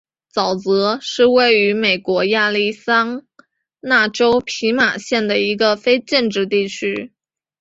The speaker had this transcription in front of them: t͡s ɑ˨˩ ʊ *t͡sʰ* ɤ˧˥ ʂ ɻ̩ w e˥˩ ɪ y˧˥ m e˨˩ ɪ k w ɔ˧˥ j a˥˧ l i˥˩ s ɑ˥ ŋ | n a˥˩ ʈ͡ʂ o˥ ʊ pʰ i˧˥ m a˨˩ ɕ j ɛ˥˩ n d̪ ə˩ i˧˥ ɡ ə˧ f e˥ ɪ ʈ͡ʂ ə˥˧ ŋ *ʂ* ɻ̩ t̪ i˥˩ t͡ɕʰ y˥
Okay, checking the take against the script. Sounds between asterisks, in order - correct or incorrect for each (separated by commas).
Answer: incorrect, incorrect